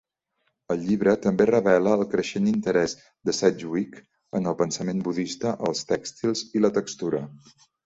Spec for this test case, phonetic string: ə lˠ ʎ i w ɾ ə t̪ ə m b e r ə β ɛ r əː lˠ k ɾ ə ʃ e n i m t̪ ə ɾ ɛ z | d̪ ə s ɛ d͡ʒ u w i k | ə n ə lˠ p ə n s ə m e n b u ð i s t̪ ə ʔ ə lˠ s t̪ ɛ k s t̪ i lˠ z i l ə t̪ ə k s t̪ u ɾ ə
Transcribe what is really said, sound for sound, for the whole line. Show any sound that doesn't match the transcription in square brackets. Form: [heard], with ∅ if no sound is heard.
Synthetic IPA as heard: ə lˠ ʎ i [β] ɾ ə t̪ ə m b e r ə β ɛ [l] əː lˠ k ɾ ə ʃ e n i [n] t̪ ə ɾ ɛ z | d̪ ə s ɛ d͡ʒ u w i k | ə n ə lˠ p ə n s ə m e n b u ð i s t̪ ə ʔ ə lˠ s t̪ ɛ k s t̪ i lˠ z i l ə t̪ ə k s t̪ u ɾ ə